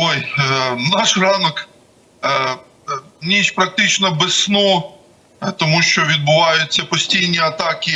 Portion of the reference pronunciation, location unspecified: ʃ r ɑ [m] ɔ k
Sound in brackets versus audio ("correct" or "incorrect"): incorrect